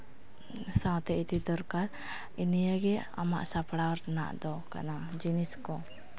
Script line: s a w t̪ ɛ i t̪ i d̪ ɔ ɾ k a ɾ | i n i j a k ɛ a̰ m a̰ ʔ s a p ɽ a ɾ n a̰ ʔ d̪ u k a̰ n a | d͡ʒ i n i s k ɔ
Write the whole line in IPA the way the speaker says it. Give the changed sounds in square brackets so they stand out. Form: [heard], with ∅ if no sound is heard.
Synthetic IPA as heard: s a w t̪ ɛ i t̪ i d̪ ɔ ɾ k a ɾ | i n i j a [ɡ] ɛ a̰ m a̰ ʔ s a p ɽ a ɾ n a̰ ʔ d̪ [ɔ] k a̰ n a | d͡ʒ i n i s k ɔ